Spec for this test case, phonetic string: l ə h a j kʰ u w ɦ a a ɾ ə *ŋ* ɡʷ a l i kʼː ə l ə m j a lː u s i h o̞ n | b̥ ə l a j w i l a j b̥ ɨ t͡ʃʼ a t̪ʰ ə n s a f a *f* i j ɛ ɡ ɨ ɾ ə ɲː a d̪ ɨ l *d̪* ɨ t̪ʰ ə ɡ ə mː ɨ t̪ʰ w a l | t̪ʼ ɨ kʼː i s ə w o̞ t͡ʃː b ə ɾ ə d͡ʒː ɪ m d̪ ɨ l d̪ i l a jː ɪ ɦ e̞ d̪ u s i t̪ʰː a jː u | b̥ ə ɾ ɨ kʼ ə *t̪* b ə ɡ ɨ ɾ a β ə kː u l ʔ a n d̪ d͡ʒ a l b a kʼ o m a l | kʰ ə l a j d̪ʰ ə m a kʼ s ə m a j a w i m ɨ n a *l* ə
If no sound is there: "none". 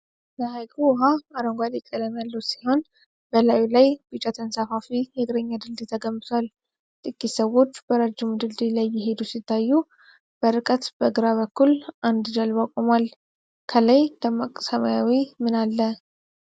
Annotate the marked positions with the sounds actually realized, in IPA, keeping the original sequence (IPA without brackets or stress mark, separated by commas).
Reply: ŋ, f, d̪, t̪, lː